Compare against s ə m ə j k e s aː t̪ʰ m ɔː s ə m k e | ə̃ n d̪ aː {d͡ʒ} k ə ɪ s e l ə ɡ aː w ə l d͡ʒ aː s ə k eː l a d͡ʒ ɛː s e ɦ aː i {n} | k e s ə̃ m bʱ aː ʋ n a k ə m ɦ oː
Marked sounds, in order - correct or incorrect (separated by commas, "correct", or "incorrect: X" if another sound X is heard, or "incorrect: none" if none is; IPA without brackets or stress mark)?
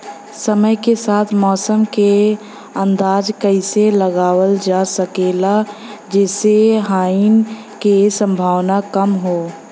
correct, correct